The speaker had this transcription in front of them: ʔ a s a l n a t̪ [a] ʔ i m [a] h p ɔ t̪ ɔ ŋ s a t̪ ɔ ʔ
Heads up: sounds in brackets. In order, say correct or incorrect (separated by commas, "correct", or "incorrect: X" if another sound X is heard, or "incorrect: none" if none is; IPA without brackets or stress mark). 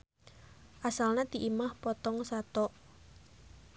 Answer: incorrect: i, correct